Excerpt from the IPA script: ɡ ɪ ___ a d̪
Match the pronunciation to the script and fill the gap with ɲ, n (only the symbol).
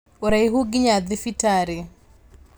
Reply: ɲ